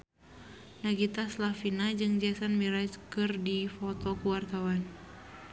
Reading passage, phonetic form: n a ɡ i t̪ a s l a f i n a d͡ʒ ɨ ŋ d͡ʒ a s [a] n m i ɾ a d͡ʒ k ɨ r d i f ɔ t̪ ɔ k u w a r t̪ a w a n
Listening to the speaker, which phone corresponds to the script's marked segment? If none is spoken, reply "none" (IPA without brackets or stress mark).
a